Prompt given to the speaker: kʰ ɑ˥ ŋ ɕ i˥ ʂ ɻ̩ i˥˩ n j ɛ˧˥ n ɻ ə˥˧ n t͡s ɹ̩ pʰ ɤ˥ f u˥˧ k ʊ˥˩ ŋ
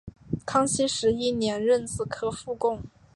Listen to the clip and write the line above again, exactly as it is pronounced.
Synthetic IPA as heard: kʰ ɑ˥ ŋ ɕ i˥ ʂ ɻ̩ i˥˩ n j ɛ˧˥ n ɻ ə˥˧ n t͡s ɹ̩ kʰ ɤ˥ f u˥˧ k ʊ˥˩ ŋ